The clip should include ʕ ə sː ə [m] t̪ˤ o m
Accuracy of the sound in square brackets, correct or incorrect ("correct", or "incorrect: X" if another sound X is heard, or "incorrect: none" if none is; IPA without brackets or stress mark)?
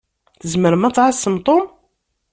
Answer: correct